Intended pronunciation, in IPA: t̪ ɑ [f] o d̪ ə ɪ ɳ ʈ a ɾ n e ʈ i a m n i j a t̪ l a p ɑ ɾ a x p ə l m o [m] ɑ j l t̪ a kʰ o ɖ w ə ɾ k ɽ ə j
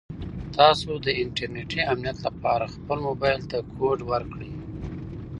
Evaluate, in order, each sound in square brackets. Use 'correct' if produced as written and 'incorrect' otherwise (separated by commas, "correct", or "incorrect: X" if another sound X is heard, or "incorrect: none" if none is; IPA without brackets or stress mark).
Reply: incorrect: s, incorrect: b